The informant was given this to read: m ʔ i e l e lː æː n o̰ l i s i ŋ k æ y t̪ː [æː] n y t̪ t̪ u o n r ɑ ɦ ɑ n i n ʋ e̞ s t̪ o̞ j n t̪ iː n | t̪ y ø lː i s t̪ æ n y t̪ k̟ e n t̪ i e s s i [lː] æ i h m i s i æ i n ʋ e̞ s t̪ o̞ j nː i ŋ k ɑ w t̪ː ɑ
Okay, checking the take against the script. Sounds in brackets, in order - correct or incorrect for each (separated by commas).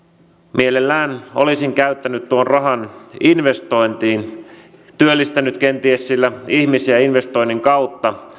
incorrect, correct